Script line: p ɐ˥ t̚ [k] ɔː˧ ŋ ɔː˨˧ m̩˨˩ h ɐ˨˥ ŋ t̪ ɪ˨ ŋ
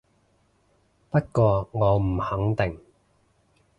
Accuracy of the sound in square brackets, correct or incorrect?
correct